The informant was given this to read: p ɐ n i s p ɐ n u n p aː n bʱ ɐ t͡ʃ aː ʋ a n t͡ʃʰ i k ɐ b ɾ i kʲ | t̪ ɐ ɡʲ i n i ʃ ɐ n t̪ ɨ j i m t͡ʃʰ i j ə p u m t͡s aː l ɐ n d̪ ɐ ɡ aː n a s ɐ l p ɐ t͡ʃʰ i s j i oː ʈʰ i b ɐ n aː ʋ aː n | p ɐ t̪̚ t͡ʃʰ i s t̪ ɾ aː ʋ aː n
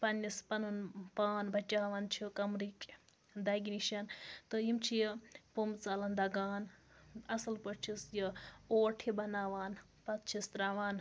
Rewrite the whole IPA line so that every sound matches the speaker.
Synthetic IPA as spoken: p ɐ n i s p ɐ n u n p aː n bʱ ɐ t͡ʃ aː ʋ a n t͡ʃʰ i k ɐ m ɾ i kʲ | d̪ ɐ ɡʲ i n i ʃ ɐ n t̪ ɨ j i m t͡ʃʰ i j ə p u m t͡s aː l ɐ n d̪ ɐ ɡ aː n ɐ s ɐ l p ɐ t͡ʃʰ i s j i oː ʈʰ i b ɐ n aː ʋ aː n | p ɐ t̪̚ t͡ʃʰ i s t̪ ɾ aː ʋ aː n